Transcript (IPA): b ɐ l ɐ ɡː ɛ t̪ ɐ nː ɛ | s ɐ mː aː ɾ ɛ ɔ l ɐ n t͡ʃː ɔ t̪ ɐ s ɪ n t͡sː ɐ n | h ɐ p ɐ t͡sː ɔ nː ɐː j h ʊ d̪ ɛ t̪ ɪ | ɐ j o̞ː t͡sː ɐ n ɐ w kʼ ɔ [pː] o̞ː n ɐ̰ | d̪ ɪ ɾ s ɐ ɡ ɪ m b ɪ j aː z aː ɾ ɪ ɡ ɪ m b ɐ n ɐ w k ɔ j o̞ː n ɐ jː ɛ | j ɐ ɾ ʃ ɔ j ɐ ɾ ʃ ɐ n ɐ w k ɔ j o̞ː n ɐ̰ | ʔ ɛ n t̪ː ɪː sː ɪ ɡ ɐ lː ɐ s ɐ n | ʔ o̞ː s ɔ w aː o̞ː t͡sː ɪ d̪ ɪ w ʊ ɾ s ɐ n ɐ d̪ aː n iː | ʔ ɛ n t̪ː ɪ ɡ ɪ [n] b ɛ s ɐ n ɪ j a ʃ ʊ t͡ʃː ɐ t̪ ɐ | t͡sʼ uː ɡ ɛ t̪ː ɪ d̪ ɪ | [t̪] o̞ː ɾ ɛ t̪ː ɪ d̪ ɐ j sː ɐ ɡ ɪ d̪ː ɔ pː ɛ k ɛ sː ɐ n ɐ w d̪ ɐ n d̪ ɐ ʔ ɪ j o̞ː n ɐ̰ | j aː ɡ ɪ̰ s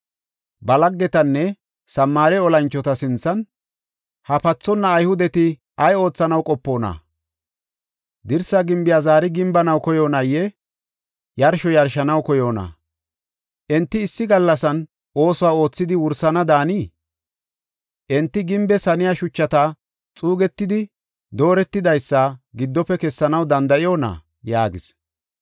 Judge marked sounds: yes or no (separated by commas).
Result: yes, no, no